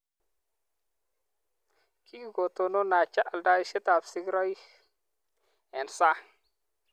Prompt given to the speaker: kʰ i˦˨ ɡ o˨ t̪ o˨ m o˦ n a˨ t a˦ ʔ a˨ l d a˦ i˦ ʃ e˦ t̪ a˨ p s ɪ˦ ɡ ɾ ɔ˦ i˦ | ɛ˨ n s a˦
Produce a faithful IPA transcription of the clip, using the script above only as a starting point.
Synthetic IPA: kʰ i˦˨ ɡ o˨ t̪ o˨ n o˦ n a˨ t͡ʃ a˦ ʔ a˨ l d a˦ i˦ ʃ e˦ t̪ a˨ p s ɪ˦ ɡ ɾ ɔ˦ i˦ | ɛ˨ n s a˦